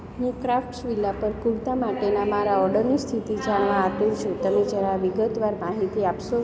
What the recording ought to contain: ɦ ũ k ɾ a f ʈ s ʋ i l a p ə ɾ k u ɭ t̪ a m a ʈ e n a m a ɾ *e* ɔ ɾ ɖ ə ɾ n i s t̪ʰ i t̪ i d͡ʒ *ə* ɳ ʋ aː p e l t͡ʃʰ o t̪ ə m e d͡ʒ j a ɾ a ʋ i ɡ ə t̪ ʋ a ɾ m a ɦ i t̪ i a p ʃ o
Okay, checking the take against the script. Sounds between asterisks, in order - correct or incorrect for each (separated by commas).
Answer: incorrect, incorrect